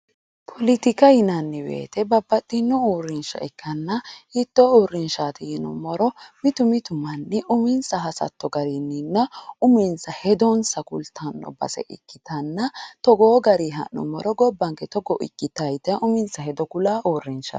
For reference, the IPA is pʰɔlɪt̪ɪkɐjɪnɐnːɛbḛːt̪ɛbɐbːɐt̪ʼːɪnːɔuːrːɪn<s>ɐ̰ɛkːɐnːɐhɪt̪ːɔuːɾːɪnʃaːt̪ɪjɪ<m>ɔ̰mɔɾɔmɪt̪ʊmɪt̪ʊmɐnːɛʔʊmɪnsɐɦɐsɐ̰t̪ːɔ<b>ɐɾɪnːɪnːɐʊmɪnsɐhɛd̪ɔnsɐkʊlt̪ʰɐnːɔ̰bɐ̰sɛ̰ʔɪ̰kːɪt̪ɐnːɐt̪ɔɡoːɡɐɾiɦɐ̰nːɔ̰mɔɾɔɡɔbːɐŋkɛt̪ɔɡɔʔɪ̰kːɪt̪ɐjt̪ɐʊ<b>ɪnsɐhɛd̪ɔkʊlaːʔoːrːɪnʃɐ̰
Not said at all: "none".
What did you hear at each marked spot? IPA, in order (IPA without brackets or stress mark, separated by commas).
ʃ, n, ɡ, m